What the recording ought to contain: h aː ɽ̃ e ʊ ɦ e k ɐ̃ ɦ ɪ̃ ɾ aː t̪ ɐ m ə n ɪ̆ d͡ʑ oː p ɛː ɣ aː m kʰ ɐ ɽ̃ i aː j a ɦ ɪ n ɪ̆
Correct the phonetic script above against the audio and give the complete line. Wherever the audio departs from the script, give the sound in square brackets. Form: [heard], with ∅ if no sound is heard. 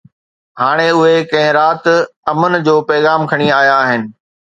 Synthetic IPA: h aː ɽ̃ e ʊ ɦ e k ɐ̃ ɦ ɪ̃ ɾ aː t̪ ɐ m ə n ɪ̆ d͡ʑ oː p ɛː ɣ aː m kʰ ɐ ɽ̃ i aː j a ɦ ɪ n ɪ̆